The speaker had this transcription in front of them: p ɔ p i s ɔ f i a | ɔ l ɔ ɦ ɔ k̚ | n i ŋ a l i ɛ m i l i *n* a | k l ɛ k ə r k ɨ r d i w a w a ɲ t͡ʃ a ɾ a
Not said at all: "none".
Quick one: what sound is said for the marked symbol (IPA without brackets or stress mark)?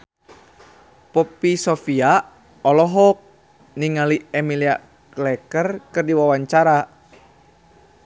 none